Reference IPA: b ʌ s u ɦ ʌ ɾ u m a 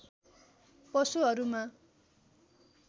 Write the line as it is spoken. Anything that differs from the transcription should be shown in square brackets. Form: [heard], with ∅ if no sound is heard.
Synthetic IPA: [p] ʌ s u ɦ ʌ ɾ u m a